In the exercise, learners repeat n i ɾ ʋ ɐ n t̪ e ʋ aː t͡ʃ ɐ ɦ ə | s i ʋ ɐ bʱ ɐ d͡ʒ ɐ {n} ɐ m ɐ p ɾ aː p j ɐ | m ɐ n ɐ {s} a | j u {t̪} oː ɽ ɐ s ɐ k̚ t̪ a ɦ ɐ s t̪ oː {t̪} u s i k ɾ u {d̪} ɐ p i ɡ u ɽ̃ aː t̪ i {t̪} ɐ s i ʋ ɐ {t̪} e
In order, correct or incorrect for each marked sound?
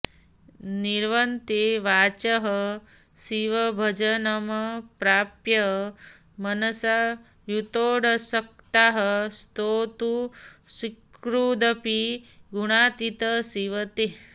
correct, correct, correct, correct, correct, correct, correct

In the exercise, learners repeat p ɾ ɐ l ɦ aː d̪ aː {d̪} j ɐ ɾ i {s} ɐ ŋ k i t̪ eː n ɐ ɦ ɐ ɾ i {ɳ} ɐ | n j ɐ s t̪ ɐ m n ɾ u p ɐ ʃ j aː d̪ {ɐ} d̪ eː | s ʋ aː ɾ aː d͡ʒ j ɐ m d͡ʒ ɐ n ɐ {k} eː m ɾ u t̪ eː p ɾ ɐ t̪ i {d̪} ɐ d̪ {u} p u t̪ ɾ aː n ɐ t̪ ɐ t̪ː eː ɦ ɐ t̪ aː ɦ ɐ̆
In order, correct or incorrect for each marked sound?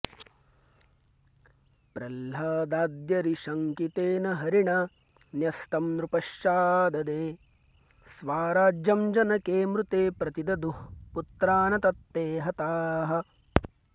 correct, incorrect: ʃ, correct, correct, correct, correct, correct

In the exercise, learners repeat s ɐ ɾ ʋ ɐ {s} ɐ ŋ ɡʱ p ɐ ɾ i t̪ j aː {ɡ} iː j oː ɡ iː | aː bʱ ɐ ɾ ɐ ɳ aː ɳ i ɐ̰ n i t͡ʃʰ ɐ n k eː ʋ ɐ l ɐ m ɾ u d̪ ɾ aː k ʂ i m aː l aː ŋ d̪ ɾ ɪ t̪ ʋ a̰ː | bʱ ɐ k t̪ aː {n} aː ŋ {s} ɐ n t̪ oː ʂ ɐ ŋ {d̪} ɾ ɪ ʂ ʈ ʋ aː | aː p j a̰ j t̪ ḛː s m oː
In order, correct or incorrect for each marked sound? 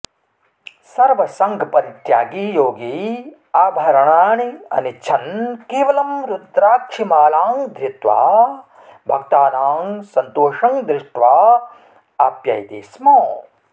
correct, correct, correct, correct, correct

